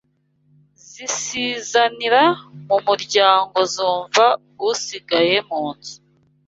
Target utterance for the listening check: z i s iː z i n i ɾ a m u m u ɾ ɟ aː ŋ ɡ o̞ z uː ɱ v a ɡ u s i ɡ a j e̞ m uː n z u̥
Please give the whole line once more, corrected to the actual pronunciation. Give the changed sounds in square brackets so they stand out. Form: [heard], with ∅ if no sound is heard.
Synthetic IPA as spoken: z i s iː z [a] n i ɾ a m u m u ɾ ɟ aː ŋ ɡ o̞ z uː ɱ v a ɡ u s i ɡ a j e̞ m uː n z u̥